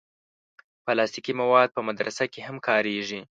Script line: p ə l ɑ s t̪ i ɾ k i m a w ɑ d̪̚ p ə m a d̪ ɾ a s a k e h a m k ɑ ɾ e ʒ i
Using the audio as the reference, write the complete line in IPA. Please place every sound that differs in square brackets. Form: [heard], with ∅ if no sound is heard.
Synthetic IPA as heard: p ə l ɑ s t̪ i [∅] k i m a w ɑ d̪̚ p ə m a d̪ ɾ a s a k e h a m k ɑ ɾ e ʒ i